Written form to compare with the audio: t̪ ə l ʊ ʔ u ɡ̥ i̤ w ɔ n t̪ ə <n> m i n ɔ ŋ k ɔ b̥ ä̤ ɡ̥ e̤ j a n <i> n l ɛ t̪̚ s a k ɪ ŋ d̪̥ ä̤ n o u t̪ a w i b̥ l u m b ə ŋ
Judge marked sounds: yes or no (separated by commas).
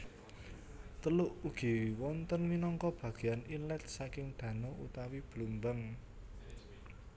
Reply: yes, yes